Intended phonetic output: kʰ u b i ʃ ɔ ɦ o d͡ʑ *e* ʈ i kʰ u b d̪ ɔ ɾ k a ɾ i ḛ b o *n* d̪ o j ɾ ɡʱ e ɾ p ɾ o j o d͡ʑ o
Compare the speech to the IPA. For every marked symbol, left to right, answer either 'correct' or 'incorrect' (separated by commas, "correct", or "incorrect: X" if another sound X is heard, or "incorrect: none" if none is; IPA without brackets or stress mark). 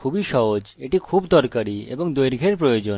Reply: correct, incorrect: ŋ